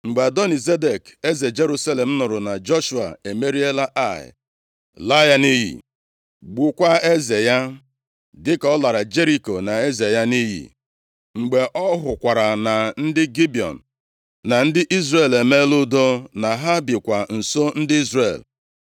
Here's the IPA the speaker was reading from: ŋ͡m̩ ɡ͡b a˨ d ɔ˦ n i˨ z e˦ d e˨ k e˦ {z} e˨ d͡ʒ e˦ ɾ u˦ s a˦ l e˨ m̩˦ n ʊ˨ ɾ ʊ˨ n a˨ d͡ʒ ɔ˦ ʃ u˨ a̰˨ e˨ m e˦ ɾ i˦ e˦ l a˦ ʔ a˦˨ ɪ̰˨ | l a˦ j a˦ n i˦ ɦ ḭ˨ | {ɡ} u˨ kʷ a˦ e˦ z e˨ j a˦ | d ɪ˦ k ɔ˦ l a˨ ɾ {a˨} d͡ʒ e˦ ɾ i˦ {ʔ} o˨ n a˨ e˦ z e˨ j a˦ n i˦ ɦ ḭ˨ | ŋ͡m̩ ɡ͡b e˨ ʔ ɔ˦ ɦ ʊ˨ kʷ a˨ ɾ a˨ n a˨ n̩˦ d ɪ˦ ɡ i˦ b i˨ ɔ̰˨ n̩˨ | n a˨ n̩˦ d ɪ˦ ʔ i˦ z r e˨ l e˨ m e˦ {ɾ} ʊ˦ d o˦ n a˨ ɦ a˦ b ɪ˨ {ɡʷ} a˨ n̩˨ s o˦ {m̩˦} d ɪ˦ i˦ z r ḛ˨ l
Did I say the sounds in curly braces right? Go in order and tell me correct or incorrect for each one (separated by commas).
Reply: correct, incorrect, correct, incorrect, incorrect, incorrect, incorrect